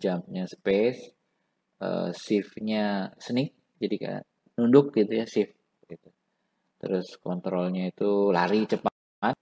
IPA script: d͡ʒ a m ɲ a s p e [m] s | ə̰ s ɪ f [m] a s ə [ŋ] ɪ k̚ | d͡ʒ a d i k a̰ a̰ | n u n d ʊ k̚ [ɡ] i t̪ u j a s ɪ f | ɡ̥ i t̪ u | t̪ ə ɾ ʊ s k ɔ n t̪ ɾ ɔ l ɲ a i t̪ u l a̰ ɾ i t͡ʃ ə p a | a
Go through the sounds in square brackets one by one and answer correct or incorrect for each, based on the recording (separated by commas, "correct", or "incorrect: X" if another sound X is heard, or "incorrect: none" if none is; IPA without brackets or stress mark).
incorrect: none, incorrect: ɲ, incorrect: n, correct